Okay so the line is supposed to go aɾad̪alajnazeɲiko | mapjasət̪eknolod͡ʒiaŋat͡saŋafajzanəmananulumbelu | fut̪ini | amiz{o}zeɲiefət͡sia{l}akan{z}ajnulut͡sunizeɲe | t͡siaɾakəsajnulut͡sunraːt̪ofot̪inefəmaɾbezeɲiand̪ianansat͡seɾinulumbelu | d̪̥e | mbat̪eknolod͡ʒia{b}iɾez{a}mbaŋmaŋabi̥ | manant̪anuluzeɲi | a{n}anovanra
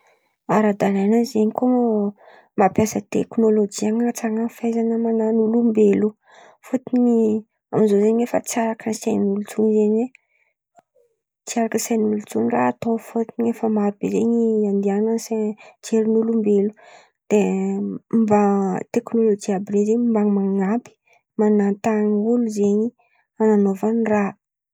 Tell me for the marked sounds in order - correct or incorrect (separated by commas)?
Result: correct, incorrect, incorrect, correct, incorrect, correct